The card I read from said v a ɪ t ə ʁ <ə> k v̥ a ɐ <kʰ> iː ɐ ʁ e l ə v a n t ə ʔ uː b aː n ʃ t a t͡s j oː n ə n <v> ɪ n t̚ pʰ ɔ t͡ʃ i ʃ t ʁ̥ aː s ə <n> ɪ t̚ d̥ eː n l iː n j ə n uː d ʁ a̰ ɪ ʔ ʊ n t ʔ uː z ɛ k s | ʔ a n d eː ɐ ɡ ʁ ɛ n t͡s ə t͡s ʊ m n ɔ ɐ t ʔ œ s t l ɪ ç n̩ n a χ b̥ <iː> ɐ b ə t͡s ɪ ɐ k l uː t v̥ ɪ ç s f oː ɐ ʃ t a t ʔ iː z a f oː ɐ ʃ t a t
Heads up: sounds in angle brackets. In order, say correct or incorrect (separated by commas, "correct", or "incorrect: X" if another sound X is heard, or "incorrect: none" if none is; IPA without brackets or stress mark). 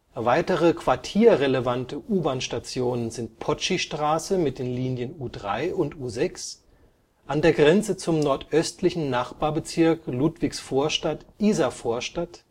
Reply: correct, incorrect: tʰ, incorrect: z, incorrect: m, incorrect: aː